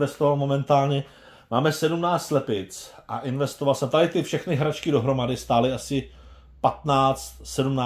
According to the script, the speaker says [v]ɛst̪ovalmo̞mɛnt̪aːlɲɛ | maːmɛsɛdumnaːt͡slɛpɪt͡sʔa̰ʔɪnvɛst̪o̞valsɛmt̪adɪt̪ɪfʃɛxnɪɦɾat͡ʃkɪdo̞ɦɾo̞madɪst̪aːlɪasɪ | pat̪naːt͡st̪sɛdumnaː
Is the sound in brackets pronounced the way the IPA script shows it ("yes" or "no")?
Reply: yes